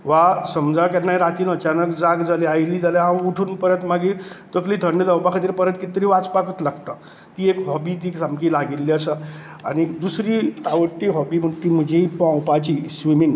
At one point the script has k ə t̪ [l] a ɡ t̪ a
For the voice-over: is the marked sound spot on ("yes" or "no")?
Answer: yes